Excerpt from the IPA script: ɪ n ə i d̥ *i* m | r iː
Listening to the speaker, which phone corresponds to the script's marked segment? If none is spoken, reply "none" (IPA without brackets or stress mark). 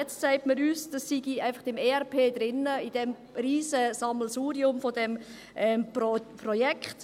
ɛ